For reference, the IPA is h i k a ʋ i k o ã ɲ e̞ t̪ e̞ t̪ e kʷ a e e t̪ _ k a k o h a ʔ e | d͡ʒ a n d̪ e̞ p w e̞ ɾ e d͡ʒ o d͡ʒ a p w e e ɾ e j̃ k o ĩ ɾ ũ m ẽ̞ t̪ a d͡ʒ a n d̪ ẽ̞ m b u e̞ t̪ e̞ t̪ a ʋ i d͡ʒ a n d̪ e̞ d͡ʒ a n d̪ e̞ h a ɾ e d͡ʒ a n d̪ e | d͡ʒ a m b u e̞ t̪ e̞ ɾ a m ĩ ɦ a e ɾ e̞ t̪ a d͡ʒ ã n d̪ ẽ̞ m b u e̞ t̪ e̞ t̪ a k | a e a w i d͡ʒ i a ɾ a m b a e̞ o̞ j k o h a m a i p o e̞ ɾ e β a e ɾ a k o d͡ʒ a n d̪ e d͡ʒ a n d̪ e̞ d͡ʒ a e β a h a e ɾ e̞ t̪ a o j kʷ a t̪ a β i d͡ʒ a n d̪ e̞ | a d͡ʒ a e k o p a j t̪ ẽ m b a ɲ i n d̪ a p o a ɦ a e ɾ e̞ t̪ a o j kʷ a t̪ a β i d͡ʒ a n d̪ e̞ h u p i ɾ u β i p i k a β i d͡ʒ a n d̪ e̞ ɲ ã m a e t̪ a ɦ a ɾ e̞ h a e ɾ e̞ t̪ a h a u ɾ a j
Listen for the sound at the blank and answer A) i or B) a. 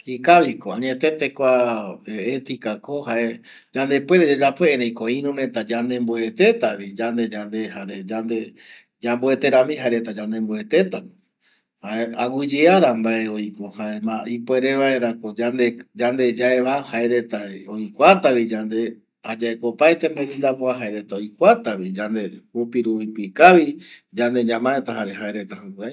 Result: A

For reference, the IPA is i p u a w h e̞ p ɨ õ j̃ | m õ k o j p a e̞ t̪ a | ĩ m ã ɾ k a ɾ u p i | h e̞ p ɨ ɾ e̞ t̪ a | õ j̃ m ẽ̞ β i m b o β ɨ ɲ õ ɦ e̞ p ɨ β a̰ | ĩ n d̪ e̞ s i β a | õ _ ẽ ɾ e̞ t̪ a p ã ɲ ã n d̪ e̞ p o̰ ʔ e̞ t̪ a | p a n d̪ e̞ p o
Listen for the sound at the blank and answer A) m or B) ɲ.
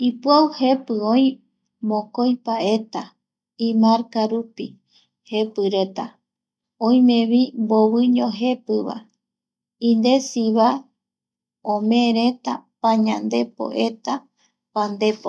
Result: A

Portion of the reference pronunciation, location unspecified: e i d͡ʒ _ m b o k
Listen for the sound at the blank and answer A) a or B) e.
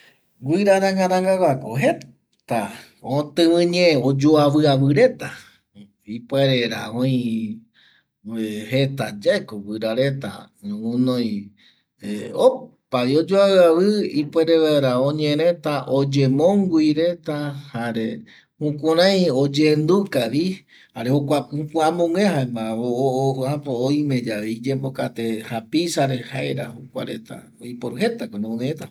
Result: B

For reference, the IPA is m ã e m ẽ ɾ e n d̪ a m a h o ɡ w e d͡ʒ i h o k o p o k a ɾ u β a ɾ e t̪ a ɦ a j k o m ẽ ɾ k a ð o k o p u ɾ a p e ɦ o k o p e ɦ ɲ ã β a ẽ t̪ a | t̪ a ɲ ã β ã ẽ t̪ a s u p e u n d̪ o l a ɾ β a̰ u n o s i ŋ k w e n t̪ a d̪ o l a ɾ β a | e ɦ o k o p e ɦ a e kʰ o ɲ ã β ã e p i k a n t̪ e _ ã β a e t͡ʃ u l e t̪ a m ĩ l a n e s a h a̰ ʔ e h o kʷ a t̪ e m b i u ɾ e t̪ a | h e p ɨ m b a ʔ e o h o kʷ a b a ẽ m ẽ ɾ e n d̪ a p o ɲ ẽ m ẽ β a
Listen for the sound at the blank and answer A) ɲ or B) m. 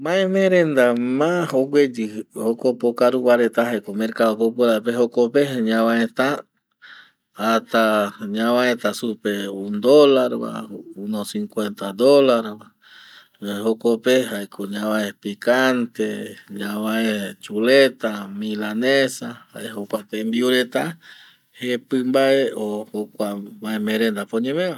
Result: A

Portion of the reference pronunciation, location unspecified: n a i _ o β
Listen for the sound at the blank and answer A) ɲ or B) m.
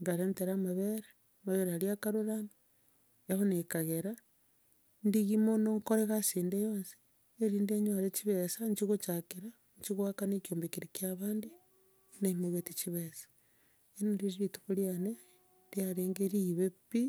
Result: B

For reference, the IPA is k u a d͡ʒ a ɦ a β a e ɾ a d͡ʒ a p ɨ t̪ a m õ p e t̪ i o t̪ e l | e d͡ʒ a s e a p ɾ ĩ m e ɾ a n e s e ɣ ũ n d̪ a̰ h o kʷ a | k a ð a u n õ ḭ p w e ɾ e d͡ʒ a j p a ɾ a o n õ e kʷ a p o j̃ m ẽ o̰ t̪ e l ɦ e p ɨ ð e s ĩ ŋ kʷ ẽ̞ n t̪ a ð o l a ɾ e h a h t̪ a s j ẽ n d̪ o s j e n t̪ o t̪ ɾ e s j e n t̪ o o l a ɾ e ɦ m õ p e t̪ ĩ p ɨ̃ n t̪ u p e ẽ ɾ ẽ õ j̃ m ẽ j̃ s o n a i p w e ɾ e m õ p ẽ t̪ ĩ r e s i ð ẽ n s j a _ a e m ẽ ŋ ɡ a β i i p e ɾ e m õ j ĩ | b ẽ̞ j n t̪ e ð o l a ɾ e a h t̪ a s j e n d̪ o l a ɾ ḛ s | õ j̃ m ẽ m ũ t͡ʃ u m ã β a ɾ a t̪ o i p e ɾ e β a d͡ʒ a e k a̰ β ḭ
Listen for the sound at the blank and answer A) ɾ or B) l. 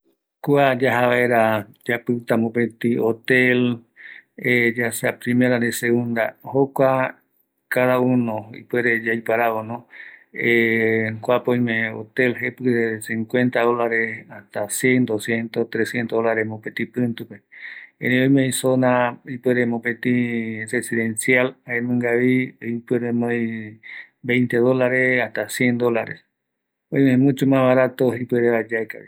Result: B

